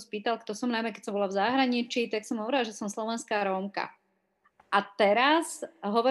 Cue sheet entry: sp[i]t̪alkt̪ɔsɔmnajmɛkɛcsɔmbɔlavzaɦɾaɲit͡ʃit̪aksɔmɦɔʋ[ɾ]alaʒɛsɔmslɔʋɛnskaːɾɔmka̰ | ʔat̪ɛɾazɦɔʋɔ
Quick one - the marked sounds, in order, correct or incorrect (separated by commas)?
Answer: incorrect, correct